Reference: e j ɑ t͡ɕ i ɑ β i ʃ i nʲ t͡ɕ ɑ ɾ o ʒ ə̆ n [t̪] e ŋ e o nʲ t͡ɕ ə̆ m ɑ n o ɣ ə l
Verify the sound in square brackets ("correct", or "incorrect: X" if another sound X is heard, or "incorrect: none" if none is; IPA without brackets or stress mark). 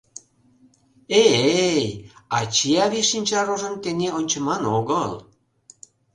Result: correct